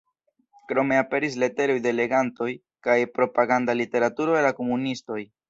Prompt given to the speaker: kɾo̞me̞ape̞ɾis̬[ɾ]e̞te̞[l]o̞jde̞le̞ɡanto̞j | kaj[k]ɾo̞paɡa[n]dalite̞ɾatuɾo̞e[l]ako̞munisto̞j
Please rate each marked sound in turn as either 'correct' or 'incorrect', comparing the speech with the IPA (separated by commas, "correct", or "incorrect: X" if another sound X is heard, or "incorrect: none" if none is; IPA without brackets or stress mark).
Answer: incorrect: l, incorrect: ɾ, incorrect: p, correct, correct